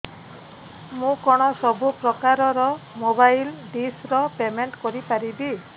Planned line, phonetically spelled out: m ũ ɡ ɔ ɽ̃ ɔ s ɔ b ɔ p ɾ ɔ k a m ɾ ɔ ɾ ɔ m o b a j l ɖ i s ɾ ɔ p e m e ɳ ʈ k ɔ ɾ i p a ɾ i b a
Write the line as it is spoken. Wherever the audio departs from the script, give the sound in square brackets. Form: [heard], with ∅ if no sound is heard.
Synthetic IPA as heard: m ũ [k] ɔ ɽ̃ ɔ s ɔ b [u] p ɾ ɔ k a [∅] ɾ ɔ ɾ ɔ m o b a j l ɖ i s ɾ ɔ p e m e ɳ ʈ k ɔ ɾ i p a ɾ i b [i]